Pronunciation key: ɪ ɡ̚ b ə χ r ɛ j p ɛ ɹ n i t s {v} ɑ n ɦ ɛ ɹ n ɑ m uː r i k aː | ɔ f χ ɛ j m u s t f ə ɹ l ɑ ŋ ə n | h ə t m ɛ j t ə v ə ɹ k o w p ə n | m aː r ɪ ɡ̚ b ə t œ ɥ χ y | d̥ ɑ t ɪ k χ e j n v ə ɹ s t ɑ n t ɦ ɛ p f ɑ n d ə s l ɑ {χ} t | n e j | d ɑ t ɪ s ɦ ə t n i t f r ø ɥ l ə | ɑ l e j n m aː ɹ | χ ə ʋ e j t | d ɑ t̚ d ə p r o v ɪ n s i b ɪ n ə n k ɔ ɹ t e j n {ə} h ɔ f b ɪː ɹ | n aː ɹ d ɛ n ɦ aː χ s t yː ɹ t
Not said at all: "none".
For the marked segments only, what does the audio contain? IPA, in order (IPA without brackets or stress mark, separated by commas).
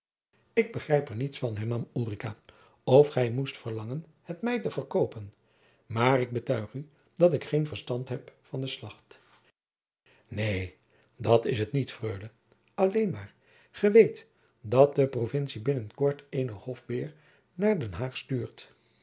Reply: f, χ, ə